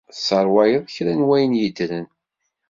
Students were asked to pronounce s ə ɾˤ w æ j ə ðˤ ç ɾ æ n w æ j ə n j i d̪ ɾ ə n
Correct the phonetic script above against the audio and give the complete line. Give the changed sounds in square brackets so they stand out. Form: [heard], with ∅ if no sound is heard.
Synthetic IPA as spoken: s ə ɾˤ w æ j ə ðˤ ç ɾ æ n w æ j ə n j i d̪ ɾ ə n